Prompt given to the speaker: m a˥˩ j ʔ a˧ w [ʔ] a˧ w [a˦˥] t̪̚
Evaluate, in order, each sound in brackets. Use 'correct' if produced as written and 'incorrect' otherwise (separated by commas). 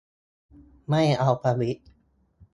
incorrect, incorrect